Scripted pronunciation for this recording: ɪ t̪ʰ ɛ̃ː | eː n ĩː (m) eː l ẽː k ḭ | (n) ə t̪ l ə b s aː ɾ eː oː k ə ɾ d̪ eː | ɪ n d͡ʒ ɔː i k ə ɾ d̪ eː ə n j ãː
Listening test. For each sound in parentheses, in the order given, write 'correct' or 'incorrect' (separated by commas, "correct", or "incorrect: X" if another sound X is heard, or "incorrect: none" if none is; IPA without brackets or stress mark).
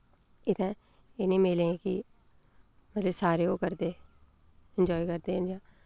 correct, incorrect: m